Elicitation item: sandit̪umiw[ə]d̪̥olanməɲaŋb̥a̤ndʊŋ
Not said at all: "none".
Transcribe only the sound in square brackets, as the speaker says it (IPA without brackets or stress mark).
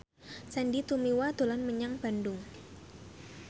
a